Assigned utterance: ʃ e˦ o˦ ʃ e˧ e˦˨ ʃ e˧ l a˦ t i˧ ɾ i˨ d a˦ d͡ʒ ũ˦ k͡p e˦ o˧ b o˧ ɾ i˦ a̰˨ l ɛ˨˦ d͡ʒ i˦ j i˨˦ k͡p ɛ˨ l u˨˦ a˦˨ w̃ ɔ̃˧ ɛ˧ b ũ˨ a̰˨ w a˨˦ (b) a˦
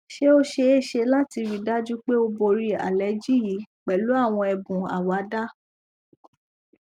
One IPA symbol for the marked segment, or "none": d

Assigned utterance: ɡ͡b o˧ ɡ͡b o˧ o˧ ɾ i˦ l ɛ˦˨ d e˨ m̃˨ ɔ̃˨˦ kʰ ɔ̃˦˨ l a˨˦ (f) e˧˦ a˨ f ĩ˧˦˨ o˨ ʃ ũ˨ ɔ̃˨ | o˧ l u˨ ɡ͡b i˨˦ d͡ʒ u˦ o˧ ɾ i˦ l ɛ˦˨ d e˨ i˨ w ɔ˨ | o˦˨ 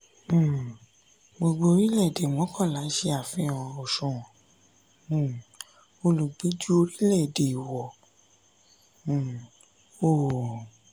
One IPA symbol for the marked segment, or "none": ʃ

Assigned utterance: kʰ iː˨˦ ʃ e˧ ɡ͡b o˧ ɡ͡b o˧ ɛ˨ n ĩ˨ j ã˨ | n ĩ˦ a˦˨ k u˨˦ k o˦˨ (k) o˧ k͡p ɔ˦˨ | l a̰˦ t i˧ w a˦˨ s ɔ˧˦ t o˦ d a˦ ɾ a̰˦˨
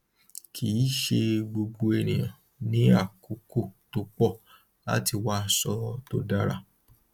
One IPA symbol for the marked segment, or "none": t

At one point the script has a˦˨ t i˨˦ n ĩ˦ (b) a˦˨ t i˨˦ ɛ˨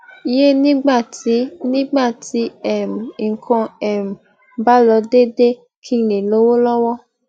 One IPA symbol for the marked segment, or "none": ɡ͡b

